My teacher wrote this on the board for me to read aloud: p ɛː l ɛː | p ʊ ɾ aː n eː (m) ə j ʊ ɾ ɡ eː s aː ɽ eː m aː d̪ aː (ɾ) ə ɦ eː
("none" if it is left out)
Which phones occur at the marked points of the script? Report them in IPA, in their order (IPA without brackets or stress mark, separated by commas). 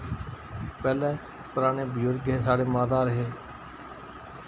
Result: b, ɾ